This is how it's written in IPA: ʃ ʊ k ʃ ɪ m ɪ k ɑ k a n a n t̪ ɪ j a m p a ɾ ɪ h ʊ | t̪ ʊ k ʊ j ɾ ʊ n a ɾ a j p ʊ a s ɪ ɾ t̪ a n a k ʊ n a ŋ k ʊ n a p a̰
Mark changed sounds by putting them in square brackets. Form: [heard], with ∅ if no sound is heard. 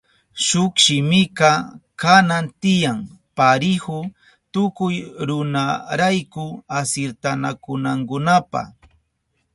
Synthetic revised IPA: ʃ ʊ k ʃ ɪ m ɪ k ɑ k a n a n t̪ ɪ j a [ŋ] p a ɾ ɪ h ʊ | t̪ ʊ k ʊ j ɾ ʊ n a ɾ a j [k] ʊ a s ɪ ɾ t̪ a n a k ʊ n a ŋ k ʊ n a p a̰